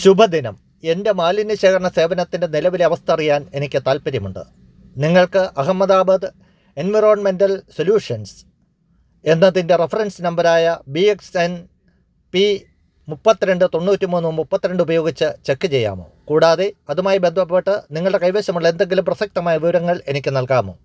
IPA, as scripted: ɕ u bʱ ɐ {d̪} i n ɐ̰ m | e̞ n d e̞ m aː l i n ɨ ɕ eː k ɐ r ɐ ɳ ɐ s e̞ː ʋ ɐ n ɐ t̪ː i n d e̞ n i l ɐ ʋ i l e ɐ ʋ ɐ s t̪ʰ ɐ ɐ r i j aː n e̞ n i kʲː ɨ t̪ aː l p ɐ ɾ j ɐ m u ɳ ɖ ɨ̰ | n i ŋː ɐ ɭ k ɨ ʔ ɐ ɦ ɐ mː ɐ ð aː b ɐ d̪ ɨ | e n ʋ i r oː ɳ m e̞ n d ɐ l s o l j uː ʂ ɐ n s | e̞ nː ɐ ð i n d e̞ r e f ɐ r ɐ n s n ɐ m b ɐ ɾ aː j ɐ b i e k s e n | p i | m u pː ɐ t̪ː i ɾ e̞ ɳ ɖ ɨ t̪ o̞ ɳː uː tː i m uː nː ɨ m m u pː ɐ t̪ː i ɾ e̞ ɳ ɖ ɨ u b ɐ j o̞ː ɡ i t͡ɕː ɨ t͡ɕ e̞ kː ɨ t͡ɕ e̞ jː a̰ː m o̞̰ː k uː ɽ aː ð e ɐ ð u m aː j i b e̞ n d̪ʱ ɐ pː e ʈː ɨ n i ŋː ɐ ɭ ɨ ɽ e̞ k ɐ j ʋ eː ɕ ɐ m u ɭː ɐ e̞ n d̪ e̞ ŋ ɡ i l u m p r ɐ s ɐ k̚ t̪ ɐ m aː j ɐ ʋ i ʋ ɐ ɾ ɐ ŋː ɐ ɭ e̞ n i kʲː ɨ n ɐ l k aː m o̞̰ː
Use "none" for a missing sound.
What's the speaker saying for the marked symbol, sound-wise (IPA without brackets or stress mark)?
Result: d̪